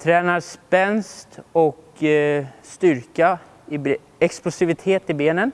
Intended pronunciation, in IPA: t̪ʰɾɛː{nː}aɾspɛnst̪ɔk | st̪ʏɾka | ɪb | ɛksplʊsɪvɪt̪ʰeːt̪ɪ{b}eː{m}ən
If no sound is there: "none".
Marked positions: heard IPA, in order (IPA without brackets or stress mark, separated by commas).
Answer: n, b, n